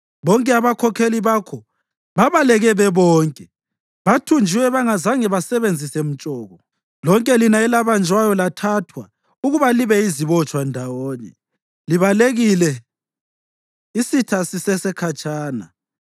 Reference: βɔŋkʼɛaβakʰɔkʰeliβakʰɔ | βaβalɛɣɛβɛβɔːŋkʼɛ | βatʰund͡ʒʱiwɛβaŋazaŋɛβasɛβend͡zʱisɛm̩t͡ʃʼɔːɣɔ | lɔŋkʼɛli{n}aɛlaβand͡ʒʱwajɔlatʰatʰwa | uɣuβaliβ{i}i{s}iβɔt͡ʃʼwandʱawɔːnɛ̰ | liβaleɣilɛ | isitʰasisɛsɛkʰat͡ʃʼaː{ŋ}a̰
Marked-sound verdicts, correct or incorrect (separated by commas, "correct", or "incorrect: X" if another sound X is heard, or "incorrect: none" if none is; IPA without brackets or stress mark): correct, incorrect: ɛ, incorrect: z, incorrect: n